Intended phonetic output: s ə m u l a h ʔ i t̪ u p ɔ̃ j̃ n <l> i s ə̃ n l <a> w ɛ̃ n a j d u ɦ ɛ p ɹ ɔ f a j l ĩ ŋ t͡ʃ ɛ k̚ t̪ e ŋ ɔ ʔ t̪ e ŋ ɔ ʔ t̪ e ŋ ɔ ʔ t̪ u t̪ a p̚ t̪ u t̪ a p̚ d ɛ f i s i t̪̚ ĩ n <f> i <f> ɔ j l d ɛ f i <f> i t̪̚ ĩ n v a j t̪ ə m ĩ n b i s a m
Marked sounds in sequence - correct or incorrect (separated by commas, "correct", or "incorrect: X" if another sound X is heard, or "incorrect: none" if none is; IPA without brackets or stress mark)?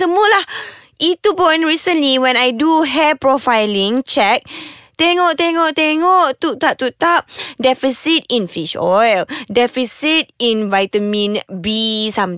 incorrect: ɹ, incorrect: i, correct, incorrect: ʃ, incorrect: s